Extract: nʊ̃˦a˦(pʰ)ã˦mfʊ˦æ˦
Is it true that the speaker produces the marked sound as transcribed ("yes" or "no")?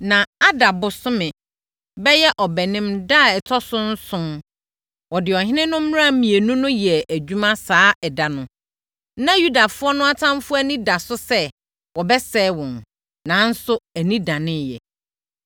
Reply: no